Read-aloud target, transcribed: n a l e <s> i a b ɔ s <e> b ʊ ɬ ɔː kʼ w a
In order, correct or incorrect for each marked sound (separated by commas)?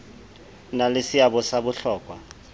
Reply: correct, incorrect